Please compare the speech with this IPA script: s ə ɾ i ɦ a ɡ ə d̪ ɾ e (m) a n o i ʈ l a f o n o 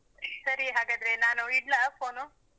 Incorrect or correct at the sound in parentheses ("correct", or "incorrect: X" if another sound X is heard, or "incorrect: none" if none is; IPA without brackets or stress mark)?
incorrect: n